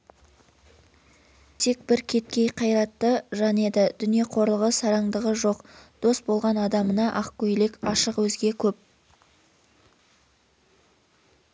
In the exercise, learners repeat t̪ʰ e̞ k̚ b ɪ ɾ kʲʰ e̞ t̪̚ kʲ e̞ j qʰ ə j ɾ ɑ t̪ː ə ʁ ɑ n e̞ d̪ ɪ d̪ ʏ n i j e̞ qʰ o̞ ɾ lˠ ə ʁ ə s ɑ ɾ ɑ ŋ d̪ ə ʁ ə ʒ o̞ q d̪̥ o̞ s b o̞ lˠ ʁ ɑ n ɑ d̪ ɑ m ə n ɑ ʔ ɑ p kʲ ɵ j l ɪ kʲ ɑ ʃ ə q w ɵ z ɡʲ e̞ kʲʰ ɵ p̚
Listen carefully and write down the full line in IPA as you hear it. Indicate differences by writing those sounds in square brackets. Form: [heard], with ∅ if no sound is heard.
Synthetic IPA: t̪ʰ e̞ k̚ b ɪ ɾ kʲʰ e̞ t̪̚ kʲ e̞ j qʰ [ɑ] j ɾ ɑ t̪ː ə [ʒ] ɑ n e̞ d̪ ɪ d̪ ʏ n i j e̞ qʰ o̞ ɾ lˠ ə ʁ ə s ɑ ɾ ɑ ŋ d̪ ə ʁ ə ʒ o̞ q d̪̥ o̞ s b o̞ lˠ ʁ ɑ n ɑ d̪ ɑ m ə n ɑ ʔ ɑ [q] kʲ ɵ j l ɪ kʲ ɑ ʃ ə q w ɵ z ɡʲ e̞ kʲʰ ɵ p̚